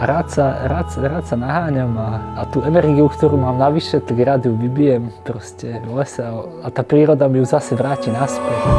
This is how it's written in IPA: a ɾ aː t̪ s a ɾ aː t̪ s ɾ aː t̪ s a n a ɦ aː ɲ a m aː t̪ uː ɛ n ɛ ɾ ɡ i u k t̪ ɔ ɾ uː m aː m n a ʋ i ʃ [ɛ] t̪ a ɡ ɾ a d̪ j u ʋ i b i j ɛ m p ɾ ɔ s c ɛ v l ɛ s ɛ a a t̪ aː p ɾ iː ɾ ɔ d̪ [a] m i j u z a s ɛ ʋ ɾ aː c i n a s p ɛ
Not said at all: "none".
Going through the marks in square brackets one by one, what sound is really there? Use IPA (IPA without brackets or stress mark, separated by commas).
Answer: ɛ, a